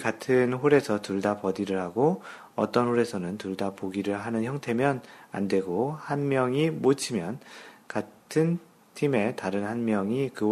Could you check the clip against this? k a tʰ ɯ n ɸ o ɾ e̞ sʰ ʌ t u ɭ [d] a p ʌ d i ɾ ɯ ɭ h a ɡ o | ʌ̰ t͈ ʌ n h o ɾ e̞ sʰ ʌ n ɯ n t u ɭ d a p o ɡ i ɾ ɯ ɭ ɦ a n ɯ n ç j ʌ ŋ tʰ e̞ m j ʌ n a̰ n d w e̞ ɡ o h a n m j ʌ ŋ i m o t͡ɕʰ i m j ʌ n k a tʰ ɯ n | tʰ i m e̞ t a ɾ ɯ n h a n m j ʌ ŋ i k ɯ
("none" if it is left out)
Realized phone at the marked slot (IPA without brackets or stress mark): d